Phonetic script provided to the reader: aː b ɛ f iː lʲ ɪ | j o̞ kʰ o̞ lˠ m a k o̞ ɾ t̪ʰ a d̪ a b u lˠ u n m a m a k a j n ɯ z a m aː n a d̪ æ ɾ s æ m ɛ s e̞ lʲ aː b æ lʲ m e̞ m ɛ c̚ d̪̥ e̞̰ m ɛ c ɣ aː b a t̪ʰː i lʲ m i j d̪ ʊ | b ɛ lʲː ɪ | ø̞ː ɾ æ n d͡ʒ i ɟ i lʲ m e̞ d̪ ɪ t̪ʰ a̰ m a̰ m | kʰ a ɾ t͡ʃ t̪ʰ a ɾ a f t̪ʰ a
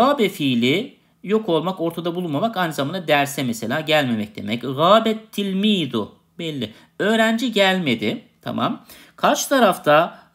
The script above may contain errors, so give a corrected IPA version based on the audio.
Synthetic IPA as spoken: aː b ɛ f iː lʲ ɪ | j o̞ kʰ o̞ lˠ m a k o̞ ɾ t̪ʰ a d̪ a b u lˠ u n m a m a k a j n ɯ z a m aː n a d̪ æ ɾ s ɛ m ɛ s e̞ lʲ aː ɟ æ lʲ m e̞ m ɛ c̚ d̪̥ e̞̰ m ɛ c ɣ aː b ɛ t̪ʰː i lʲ m i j d̪ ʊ | b ɛ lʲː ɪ | ø̞ː ɾ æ n d͡ʒ i ɟ æ lʲ m e̞ d̪ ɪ t̪ʰ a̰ m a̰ m | kʰ a ɾ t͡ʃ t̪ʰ a ɾ a f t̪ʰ a